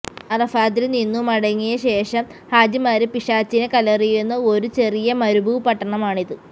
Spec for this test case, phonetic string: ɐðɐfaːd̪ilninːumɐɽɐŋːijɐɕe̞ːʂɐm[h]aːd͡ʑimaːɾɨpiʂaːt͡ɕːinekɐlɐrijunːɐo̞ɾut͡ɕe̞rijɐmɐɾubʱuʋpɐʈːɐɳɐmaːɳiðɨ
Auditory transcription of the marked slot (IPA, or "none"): h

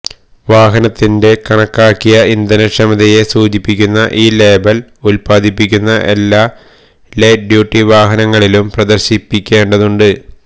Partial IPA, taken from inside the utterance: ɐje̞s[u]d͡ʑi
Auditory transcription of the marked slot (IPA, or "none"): uː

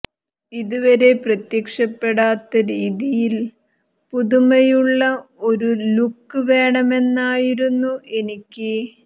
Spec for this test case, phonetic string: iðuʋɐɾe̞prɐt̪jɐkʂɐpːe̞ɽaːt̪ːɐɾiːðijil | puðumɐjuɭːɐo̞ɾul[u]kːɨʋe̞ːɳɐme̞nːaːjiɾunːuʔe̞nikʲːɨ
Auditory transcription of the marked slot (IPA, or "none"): u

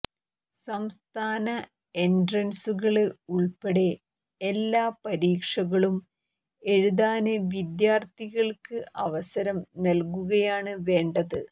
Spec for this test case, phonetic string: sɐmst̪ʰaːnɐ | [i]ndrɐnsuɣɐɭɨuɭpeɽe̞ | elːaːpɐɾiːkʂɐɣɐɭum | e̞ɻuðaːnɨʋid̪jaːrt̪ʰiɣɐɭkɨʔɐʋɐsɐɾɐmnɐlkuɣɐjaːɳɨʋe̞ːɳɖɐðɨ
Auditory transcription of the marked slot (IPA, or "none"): e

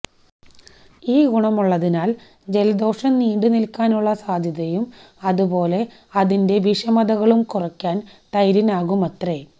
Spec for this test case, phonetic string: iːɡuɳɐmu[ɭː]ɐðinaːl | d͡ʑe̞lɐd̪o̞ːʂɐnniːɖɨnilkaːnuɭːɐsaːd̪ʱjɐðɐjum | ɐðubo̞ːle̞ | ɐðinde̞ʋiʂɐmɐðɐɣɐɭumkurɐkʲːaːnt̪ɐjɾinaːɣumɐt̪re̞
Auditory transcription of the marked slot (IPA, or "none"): ɭː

